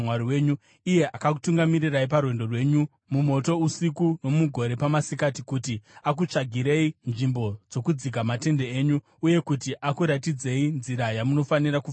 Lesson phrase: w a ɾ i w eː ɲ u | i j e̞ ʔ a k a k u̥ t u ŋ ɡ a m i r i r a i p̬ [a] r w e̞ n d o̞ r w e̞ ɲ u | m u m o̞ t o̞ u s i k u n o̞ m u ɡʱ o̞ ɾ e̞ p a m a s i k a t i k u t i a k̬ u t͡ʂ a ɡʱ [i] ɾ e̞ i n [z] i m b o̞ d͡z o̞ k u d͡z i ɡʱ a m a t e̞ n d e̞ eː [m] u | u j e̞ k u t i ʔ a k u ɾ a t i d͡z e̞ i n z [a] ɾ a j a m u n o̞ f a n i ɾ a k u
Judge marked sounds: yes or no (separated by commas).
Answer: yes, yes, no, no, no